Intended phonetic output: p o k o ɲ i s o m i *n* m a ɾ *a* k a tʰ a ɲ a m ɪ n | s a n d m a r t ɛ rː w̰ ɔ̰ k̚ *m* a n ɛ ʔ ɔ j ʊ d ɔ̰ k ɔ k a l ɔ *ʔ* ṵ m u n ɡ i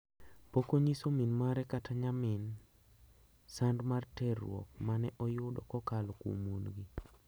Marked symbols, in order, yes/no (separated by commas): yes, no, yes, no